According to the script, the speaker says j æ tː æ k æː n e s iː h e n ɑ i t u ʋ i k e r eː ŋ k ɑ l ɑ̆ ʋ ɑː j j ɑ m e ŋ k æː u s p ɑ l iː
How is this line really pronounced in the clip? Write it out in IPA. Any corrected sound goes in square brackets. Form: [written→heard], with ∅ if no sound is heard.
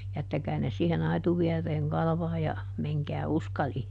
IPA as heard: j æ tː æ k æː n e s iː h e n ɑ i t u ʋ i [k→∅] e r eː ŋ k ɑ l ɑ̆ ʋ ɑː j j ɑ m e ŋ k æː u s [p→k] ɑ l iː